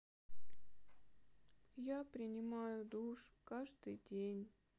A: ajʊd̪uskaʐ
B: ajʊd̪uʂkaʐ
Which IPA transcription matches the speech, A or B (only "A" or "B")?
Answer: B